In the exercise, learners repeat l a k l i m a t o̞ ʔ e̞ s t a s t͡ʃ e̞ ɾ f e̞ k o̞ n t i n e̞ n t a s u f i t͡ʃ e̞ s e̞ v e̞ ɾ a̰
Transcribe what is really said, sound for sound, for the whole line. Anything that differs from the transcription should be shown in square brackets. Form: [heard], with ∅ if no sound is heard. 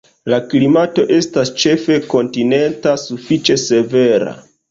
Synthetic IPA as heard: l a k l i m a t o̞ ʔ e̞ s t a s t͡ʃ e̞ [∅] f e̞ k o̞ n t i n e̞ n t a s u f i t͡ʃ e̞ s e̞ v e̞ ɾ a̰